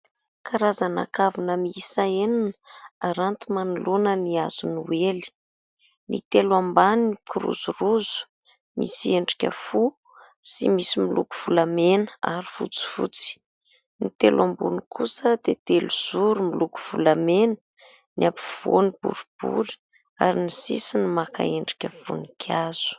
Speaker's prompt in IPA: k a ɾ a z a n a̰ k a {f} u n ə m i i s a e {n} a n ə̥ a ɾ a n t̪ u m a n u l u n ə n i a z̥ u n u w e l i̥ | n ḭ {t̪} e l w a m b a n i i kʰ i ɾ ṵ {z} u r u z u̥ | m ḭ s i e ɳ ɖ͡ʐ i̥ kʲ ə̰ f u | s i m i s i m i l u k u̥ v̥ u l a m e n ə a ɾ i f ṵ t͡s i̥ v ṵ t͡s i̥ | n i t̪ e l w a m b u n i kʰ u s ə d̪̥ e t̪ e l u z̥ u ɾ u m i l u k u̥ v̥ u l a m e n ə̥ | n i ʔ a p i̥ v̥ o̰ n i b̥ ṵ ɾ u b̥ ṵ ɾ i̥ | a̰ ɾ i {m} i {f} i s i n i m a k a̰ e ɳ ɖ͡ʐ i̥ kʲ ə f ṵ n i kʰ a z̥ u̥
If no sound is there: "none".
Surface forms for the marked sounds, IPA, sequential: v, n, t̪, z, n, s

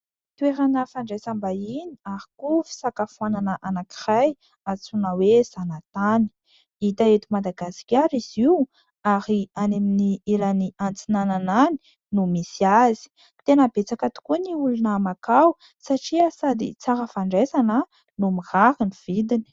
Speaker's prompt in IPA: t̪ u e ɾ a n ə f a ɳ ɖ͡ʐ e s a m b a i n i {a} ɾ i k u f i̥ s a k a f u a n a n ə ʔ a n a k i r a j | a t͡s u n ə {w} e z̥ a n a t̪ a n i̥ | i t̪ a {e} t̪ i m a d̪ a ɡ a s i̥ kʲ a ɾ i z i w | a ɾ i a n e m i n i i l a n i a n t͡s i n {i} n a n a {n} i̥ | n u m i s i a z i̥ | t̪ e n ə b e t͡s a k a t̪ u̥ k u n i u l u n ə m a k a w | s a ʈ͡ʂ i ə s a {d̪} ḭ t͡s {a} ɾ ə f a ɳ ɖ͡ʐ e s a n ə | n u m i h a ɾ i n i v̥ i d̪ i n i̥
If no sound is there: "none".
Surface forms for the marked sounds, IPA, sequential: a, w, e, a, n, d̪, a

